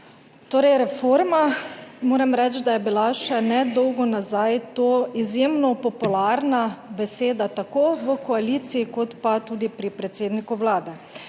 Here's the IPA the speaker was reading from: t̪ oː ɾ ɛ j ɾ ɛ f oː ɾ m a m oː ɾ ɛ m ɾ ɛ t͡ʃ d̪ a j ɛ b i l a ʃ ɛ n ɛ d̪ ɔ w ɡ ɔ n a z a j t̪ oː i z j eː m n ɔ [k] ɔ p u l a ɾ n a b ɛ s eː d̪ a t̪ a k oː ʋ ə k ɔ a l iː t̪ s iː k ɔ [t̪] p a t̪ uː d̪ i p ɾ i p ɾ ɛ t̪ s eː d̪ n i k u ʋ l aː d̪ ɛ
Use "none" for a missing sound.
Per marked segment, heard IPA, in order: p, t̪

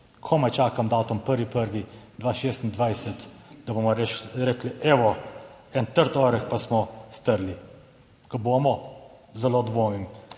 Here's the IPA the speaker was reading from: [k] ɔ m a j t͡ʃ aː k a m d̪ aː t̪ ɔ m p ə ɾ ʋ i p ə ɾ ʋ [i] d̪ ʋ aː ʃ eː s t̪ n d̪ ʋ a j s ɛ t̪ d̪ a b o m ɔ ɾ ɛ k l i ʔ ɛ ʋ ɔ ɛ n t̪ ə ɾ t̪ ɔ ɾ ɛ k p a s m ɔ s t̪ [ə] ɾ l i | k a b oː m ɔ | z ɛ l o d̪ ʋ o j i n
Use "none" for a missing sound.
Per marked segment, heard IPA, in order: kʰ, i, ə

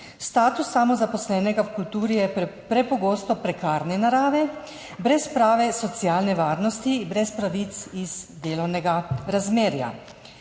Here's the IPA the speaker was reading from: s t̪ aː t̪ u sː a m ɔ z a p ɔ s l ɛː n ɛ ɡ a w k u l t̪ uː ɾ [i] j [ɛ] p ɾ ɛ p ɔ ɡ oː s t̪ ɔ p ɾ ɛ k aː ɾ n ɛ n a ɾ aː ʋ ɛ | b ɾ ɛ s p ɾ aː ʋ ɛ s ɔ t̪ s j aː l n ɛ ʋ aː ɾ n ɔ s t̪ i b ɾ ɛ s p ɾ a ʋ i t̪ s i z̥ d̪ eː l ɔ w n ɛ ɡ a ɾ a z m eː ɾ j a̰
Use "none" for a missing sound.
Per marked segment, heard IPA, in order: i, ɛ

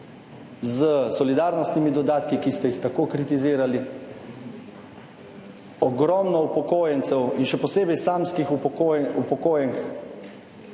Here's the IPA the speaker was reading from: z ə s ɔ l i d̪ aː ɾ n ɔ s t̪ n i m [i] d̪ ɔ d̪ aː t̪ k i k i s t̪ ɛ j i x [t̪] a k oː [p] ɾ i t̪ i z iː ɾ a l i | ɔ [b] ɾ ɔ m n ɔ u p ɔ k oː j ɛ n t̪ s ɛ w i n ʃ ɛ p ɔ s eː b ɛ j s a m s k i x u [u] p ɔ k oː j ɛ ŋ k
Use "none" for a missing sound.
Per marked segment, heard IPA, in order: i, t̪, k, ɡ, u

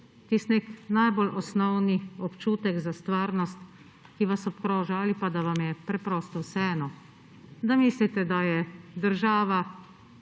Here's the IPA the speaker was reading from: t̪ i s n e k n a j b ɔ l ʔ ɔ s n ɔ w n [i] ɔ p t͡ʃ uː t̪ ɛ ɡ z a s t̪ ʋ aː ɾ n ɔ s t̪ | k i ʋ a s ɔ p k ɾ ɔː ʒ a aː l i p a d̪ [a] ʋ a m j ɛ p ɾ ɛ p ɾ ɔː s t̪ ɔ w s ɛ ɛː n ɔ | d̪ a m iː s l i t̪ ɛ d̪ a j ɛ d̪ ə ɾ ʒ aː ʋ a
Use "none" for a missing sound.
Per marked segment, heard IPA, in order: i, a

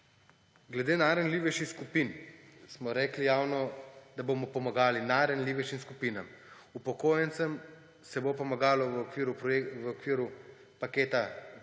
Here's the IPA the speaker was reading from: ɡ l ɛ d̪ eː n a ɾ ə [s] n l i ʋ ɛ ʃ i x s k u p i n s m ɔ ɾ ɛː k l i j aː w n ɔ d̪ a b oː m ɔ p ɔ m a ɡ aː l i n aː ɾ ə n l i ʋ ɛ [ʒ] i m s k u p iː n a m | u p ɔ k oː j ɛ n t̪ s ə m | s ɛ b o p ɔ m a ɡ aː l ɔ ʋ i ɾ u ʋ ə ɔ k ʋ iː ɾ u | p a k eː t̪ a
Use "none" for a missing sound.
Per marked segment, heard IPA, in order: none, ʃ

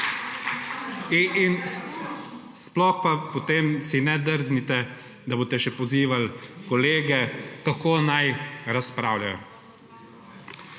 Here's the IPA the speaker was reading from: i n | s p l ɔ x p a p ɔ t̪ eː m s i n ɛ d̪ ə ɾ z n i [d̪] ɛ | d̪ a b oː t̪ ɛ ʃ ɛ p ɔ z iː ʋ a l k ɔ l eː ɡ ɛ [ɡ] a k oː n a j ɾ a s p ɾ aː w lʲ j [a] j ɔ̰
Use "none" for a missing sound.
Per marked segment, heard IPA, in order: t̪, k, a

